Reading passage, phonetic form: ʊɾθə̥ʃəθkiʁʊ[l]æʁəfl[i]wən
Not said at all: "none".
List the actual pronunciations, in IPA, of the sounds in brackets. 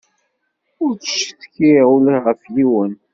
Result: l, i

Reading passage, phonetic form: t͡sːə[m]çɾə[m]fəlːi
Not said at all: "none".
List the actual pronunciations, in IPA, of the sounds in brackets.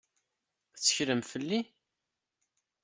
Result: none, m

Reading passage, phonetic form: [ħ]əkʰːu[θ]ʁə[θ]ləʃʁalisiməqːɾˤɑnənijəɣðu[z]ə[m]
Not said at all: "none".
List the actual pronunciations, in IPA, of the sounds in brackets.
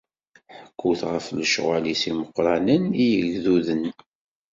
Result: ħ, θ, f, ð, n

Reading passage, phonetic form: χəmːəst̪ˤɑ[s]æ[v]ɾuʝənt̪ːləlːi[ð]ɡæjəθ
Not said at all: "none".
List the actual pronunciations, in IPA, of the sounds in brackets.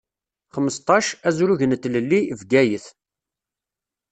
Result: ʃ, z, v

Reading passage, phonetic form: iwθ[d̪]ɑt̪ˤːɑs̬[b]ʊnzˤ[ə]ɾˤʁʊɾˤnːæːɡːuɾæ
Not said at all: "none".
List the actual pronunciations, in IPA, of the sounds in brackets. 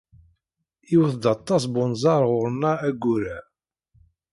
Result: d̪, b, ɑ

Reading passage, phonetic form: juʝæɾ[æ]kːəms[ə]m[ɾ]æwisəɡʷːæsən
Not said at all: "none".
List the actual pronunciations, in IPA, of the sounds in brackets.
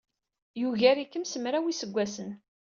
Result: i, ə, ɾ

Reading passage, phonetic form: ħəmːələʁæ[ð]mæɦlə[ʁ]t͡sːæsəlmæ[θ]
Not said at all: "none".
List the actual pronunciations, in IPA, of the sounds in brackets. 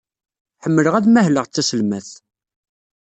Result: ð, ʁ, θ

